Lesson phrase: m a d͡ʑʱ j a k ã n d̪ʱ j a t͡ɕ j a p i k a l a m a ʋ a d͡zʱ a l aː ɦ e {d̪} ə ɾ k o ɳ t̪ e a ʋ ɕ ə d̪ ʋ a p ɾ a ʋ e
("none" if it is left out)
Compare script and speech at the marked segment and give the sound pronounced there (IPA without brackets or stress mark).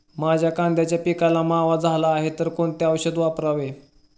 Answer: t̪